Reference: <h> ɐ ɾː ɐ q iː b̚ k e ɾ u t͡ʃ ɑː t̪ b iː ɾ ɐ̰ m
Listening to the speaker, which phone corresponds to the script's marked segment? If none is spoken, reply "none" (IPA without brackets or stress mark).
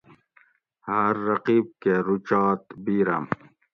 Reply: h